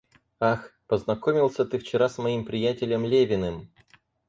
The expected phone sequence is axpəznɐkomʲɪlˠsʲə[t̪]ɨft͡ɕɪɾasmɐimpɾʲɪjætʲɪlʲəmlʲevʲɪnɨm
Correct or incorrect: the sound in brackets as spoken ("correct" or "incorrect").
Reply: correct